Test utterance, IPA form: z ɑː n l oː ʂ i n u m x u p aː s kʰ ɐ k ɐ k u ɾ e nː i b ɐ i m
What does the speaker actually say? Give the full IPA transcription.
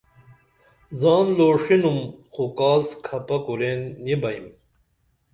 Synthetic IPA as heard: z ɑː n l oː ʂ i n u m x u k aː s kʰ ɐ p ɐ k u ɾ e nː i b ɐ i m